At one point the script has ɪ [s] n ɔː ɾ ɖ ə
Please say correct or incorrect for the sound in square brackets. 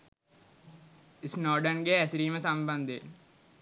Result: correct